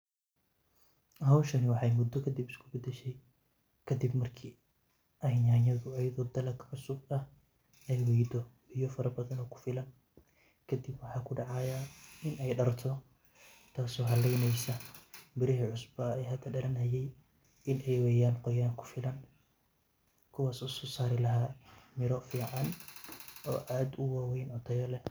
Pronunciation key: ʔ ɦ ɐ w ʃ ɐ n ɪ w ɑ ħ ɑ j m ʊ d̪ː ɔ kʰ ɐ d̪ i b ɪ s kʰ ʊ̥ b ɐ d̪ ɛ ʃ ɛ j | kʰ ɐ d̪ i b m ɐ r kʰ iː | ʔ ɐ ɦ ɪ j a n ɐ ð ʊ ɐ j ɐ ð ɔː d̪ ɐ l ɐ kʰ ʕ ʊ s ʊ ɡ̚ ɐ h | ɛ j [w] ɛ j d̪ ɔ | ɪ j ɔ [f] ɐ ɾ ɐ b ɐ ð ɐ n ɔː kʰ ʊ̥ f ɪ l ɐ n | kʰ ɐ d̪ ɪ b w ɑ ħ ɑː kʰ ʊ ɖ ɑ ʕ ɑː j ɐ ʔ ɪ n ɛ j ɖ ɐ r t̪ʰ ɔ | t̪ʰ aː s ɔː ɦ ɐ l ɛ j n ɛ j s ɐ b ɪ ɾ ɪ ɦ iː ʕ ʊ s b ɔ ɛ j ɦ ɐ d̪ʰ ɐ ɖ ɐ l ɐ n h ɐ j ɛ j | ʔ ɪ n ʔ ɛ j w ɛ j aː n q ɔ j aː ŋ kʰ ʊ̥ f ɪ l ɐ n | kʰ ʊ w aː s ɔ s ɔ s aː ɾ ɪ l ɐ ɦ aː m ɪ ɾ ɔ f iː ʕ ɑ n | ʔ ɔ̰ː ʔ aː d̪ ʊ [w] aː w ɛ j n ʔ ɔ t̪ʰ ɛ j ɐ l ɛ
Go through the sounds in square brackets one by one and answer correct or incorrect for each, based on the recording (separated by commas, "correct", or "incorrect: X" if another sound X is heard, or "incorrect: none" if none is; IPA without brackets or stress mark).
correct, correct, correct